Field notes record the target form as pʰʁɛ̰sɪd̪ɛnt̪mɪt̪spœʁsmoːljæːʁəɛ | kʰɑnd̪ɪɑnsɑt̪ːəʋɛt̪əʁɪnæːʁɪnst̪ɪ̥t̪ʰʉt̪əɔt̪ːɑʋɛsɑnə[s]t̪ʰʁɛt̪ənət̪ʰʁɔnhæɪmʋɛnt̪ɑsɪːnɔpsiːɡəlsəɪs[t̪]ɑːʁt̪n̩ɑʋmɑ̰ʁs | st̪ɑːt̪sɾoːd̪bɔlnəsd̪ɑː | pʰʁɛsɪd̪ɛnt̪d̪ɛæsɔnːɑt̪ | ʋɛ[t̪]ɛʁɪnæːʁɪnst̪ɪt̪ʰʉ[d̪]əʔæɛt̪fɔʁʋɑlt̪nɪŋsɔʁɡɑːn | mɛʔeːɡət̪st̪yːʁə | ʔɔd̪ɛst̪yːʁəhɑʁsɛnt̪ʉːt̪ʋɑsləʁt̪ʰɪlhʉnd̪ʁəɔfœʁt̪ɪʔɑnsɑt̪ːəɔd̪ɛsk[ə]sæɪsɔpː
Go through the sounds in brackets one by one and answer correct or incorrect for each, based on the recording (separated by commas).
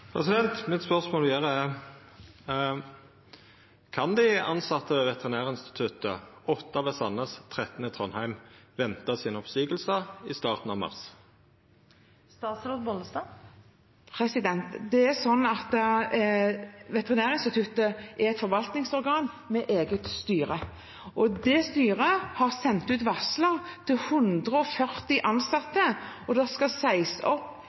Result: correct, correct, correct, incorrect, incorrect